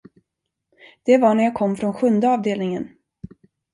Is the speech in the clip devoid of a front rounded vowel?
yes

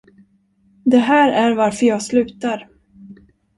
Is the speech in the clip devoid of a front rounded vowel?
no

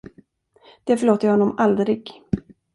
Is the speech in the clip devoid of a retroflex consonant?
no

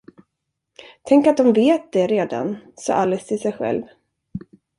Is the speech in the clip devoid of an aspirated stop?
no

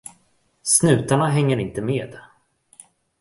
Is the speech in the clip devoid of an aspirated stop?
yes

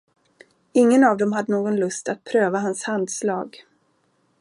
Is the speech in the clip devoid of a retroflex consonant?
yes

